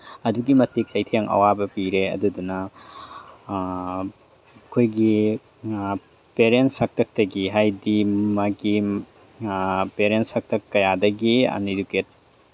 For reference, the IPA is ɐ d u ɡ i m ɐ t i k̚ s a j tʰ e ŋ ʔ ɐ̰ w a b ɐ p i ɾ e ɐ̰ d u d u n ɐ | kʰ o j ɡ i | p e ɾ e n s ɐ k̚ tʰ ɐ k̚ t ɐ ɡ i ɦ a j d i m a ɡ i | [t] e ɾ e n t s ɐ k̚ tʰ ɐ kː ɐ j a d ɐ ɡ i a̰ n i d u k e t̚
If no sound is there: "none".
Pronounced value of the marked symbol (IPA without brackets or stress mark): p